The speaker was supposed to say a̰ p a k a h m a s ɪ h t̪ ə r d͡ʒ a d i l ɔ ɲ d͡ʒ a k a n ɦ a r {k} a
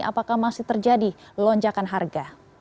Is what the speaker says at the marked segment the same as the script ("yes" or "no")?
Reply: no